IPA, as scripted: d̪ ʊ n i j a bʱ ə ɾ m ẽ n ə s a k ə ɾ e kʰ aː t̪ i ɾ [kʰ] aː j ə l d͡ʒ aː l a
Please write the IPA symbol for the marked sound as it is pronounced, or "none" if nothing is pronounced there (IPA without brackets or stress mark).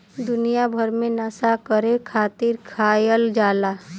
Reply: kʰ